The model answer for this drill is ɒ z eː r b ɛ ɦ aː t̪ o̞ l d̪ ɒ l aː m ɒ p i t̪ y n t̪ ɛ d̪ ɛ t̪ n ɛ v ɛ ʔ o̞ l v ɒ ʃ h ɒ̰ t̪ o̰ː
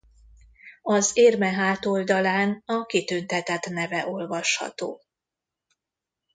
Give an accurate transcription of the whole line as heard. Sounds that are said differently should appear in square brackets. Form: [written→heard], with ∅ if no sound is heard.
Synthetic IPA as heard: ɒ z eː r [b→m] ɛ ɦ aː t̪ o̞ l d̪ ɒ l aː [m→n] ɒ [p→k] i t̪ y n t̪ ɛ [d̪→t̪] ɛ t̪ n ɛ v ɛ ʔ o̞ l v ɒ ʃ h ɒ̰ t̪ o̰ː